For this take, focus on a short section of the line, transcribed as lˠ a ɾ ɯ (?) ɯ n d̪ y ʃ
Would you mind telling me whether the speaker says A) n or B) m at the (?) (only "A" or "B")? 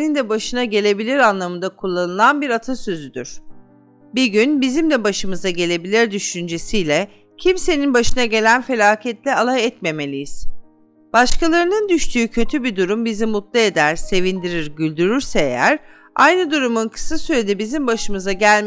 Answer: A